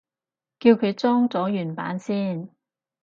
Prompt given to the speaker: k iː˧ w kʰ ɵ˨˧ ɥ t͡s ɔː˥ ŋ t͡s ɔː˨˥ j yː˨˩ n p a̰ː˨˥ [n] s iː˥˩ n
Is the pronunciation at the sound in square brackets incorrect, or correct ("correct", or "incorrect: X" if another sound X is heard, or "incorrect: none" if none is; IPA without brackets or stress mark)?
correct